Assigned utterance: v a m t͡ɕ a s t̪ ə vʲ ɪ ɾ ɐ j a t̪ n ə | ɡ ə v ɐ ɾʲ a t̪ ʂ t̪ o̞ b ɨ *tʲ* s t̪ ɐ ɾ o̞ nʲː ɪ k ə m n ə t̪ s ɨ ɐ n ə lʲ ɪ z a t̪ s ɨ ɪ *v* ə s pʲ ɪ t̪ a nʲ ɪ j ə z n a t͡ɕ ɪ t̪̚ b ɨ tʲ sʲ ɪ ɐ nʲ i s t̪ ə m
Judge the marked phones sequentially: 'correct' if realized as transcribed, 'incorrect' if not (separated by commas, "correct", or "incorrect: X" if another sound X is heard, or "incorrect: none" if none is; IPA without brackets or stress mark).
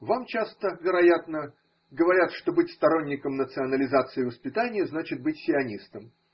correct, correct